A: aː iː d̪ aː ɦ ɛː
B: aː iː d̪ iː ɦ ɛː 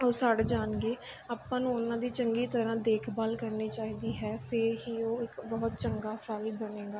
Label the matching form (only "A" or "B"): B